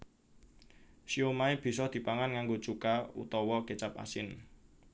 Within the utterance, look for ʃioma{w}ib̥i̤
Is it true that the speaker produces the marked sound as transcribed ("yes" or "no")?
no